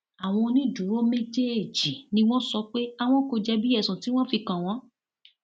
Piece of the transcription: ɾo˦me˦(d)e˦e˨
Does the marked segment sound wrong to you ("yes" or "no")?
yes